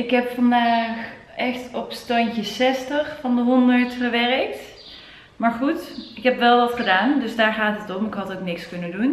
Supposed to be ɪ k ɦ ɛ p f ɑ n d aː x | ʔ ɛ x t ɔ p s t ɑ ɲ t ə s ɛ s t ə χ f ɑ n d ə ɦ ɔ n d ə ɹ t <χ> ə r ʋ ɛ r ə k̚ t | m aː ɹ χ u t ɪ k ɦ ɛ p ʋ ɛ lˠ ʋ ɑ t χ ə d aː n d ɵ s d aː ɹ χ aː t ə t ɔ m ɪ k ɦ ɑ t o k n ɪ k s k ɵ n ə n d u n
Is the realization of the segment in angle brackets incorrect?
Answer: yes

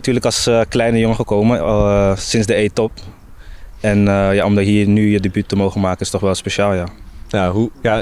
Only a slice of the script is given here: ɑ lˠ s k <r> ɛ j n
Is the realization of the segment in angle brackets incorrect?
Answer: yes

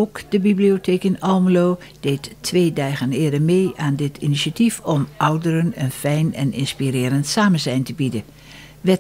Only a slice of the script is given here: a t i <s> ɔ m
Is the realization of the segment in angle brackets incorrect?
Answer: yes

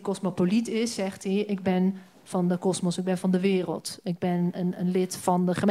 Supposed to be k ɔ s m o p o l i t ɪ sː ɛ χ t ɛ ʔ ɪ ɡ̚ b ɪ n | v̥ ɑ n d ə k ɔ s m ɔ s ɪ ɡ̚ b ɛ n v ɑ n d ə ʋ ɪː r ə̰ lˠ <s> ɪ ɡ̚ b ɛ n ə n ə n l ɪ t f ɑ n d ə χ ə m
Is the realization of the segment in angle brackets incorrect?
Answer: yes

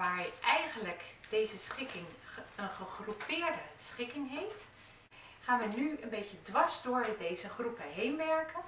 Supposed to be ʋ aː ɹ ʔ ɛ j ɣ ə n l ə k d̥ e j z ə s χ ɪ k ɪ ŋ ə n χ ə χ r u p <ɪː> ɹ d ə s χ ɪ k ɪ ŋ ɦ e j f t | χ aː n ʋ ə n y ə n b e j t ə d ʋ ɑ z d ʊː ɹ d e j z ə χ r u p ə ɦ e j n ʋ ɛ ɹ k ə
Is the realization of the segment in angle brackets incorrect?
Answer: no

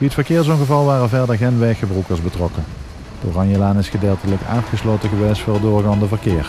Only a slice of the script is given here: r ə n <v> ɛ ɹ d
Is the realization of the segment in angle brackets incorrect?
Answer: no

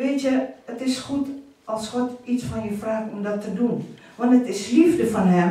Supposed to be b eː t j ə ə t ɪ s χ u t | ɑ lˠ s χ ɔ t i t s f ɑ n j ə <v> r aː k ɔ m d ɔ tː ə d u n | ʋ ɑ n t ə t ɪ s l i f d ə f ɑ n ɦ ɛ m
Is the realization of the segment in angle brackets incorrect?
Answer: yes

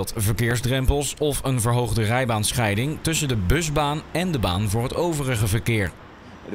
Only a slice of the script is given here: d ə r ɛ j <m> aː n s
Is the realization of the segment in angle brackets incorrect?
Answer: yes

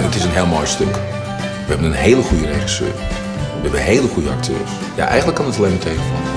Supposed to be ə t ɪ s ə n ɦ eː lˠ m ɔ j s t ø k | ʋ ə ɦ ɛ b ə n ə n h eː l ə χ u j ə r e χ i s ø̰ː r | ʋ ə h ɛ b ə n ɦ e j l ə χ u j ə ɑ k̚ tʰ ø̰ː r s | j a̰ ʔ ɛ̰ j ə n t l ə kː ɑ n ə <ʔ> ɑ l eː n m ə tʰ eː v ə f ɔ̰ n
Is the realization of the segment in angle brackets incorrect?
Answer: yes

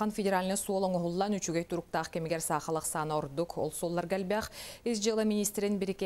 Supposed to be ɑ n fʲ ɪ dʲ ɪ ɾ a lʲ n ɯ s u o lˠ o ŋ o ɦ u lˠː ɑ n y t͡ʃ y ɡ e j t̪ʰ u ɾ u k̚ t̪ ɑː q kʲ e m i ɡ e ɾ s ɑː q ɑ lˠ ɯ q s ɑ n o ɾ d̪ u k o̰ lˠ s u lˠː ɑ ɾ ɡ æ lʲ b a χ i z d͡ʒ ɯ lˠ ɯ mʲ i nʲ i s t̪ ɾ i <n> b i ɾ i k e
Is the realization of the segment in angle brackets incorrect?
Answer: no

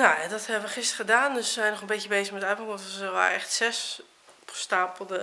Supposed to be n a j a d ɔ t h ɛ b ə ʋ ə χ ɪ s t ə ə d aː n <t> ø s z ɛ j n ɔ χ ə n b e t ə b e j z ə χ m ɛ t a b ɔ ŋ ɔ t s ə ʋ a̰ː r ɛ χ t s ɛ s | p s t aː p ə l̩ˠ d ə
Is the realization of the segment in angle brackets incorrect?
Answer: yes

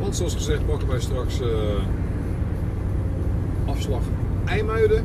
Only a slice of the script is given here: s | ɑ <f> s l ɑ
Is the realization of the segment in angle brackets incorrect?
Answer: no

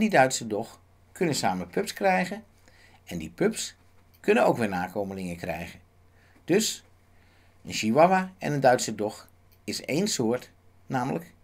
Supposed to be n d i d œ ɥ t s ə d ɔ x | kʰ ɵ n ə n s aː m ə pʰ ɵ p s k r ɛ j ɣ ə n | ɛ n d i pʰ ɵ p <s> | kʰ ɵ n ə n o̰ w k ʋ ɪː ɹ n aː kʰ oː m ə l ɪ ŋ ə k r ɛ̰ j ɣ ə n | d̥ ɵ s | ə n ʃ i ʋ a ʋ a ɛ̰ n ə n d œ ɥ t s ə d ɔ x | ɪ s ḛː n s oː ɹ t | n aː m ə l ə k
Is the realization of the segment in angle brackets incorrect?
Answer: no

